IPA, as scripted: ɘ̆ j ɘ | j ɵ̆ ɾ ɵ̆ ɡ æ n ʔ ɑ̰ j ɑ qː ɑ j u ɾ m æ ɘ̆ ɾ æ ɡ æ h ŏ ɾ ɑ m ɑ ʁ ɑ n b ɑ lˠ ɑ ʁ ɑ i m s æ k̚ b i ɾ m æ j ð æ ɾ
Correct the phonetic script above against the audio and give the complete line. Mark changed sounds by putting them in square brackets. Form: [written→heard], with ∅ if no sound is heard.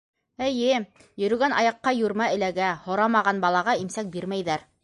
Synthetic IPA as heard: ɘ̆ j ɘ | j ɵ̆ ɾ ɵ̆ ɡ æ n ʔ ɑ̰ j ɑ qː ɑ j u ɾ m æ ɘ̆ [ɾ→l] æ ɡ æ h ŏ ɾ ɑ m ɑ ʁ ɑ n b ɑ lˠ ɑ ʁ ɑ i m s æ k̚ b i ɾ m æ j ð æ ɾ

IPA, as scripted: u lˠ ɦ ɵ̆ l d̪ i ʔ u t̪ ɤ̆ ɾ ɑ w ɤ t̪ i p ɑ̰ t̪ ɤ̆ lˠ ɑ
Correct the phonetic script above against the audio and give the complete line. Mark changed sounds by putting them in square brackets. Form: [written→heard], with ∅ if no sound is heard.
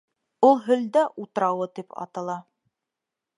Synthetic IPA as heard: u lˠ ɦ ɵ̆ l d̪ [i→æ] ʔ u t̪ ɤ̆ ɾ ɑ w ɤ t̪ i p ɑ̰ t̪ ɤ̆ lˠ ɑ

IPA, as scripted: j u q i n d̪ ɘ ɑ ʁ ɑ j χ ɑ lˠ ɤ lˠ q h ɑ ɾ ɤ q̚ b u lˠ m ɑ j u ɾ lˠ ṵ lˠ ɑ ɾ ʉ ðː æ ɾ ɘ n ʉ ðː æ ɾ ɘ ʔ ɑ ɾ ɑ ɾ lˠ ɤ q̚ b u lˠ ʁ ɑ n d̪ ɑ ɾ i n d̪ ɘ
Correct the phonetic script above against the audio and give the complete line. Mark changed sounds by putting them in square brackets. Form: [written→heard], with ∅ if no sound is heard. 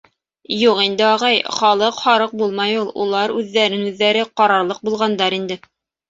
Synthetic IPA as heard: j u q i n d̪ ɘ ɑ ʁ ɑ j χ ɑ lˠ ɤ [lˠ→∅] q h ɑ ɾ ɤ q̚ b u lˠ m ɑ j u [ɾ→∅] lˠ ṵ lˠ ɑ ɾ ʉ ðː æ ɾ ɘ n ʉ ðː æ ɾ ɘ [ʔ→q] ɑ ɾ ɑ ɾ lˠ ɤ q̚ b u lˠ ʁ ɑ n d̪ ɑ ɾ i n d̪ ɘ

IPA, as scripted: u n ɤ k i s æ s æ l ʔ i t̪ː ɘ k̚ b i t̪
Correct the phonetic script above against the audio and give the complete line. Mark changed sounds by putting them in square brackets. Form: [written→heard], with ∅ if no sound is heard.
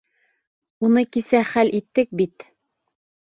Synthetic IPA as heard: u n ɤ k i s æ [s→χ] æ l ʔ i t̪ː ɘ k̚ b i t̪

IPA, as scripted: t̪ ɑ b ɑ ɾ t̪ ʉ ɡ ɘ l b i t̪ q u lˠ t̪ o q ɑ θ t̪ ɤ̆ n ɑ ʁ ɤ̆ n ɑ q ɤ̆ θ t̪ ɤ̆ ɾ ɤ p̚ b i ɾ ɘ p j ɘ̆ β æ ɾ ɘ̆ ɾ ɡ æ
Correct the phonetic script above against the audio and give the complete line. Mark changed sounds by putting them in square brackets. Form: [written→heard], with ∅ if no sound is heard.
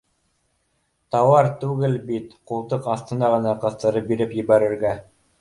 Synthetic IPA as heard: t̪ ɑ [b→w] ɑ ɾ t̪ ʉ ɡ ɘ l b i t̪ q u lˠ t̪ [o→ɤ] q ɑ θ t̪ ɤ̆ n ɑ ʁ ɤ̆ n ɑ q ɤ̆ θ t̪ ɤ̆ ɾ ɤ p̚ b i ɾ ɘ p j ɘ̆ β æ ɾ ɘ̆ ɾ ɡ æ

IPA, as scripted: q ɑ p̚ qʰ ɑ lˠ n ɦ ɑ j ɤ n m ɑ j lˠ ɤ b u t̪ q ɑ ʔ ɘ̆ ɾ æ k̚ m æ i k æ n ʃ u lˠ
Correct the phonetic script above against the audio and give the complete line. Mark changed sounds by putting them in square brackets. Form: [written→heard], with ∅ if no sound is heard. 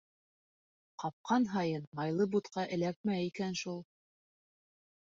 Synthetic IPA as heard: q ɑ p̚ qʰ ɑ [lˠ→∅] n ɦ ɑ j ɤ n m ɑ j lˠ ɤ b u t̪ q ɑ ʔ ɘ̆ [ɾ→l] æ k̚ m æ i k æ n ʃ u lˠ

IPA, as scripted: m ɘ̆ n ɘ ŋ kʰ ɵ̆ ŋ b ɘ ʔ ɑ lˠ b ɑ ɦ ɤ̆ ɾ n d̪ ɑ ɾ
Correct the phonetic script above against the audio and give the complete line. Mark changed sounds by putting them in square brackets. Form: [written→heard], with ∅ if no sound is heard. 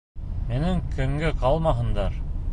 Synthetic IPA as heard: m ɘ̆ n ɘ ŋ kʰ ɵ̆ ŋ [b→ɡ] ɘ [ʔ→q] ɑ lˠ [b→m] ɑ ɦ ɤ̆ [ɾ→∅] n d̪ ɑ ɾ

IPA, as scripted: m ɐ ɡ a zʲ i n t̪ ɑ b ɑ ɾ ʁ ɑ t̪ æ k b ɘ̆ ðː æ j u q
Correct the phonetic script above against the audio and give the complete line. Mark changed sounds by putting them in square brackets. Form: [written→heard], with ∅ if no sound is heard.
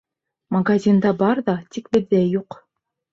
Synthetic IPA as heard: m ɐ ɡ a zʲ i n [t̪→d̪] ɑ b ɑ ɾ [ʁ→ð] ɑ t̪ [æ→i] k b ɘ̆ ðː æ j u q

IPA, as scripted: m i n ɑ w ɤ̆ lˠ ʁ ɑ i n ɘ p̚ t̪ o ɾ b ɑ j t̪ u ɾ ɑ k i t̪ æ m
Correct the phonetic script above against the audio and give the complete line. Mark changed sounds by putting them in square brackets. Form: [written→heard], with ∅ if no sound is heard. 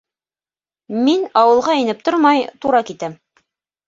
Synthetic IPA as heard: m i n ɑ w ɤ̆ lˠ ʁ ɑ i n ɘ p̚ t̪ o ɾ [b→m] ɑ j t̪ u ɾ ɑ k i t̪ æ m

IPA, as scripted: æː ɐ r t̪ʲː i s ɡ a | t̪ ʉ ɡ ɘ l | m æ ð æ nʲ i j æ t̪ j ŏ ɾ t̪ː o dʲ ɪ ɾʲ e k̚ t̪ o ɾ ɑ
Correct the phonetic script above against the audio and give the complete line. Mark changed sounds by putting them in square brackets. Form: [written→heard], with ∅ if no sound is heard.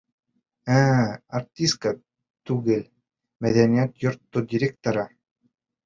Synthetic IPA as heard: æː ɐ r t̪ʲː i s [ɡ→k] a | t̪ ʉ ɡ ɘ l | m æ ð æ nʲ i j æ t̪ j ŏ ɾ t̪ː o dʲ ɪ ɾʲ e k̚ t̪ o ɾ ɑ

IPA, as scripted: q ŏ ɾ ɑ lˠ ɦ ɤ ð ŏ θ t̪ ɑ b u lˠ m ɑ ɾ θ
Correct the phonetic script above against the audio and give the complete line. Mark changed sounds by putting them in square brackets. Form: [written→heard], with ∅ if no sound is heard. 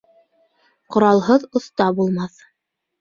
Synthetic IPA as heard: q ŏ ɾ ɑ lˠ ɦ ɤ ð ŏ θ t̪ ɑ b u lˠ m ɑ [ɾ→∅] θ

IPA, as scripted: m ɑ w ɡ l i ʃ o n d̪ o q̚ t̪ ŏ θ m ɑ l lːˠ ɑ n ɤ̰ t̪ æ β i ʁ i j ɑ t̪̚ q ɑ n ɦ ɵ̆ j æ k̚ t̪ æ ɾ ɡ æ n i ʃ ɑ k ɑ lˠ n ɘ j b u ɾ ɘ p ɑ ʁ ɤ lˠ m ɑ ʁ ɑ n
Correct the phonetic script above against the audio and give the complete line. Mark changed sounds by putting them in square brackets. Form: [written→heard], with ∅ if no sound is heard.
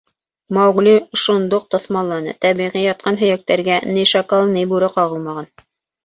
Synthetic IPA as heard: m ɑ w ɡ l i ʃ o n d̪ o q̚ t̪ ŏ θ m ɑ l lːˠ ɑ n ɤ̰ t̪ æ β i ʁ i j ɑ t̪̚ q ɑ n ɦ ɵ̆ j æ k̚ t̪ æ ɾ ɡ æ n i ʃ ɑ k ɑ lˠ n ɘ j b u ɾ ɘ [p→q] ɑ ʁ ɤ lˠ m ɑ ʁ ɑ n

